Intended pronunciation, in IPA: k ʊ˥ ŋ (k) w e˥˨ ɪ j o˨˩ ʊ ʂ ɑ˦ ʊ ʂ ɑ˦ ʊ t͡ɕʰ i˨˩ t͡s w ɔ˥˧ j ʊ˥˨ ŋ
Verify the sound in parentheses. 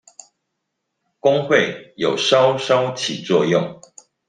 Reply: incorrect: x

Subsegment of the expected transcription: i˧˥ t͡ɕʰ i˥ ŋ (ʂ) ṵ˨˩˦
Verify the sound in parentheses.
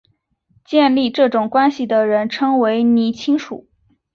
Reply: correct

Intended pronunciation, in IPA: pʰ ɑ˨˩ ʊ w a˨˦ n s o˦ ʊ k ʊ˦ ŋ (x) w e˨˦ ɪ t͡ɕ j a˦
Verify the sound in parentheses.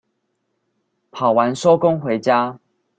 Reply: correct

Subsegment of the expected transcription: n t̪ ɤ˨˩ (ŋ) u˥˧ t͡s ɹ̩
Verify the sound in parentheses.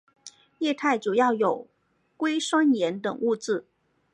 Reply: correct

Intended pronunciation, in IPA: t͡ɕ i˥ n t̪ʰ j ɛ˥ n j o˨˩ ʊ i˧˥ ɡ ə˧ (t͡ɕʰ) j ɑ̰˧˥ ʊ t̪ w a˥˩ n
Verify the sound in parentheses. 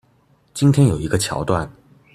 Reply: correct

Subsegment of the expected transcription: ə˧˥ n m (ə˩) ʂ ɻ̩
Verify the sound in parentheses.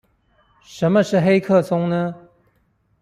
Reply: incorrect: ə˧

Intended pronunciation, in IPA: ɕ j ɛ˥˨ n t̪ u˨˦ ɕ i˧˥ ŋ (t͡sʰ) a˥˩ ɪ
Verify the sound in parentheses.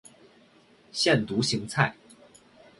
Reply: correct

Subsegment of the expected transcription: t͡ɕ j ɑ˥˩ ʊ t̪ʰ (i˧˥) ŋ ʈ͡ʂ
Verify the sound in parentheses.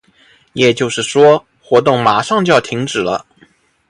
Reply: correct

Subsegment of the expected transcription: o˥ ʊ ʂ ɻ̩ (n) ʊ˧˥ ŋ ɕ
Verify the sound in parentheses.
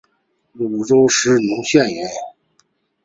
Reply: correct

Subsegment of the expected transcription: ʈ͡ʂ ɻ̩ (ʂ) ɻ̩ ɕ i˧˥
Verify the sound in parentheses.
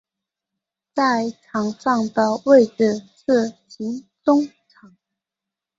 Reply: correct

